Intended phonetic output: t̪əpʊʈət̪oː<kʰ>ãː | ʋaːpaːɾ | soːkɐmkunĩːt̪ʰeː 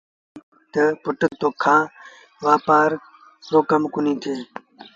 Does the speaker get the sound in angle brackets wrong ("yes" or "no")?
no